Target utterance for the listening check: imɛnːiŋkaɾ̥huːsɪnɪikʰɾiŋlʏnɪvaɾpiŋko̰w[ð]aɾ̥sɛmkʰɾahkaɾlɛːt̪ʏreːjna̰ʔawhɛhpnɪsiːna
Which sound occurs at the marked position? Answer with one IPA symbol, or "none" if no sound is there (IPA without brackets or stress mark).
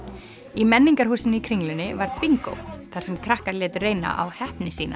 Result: θ